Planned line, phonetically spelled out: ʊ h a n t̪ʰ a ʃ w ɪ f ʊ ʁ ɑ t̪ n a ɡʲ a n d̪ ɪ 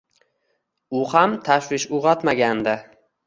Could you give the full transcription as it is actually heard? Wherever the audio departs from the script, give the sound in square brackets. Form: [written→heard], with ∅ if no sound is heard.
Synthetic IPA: ʊ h a [n→m] t̪ʰ a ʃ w ɪ [f→ʃ] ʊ ʁ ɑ t̪ [n→m] a ɡʲ a n d̪ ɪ